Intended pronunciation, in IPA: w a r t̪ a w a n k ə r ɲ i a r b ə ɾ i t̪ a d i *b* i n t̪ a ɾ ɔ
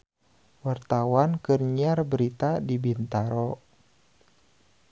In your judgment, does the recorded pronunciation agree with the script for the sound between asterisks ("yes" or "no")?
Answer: yes